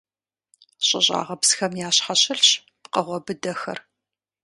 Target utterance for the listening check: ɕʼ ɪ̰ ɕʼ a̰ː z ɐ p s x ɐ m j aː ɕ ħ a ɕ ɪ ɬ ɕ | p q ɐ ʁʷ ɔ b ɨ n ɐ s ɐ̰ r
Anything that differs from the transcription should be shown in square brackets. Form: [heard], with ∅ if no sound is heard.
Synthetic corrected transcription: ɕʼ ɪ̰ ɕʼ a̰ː [ʁ] ɐ p s x ɐ m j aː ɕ ħ a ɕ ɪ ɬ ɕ | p q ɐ ʁʷ ɔ b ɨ [d] ɐ [x] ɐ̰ r